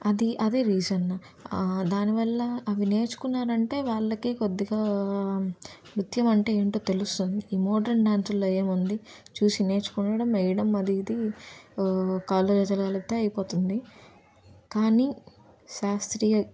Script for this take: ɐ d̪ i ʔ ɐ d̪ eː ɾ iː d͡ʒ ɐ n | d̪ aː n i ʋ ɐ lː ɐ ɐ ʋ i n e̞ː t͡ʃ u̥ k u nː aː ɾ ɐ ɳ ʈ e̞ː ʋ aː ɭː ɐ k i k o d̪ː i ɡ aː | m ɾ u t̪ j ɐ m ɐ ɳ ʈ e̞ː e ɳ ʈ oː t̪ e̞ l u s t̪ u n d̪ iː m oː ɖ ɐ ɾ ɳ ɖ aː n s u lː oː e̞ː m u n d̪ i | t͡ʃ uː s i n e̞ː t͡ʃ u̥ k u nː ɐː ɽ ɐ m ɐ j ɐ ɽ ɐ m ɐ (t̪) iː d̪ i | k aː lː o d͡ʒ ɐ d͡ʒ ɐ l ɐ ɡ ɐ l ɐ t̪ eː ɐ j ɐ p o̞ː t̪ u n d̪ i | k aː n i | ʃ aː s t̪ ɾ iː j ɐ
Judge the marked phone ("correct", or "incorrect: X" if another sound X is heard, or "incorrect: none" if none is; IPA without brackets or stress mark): incorrect: d̪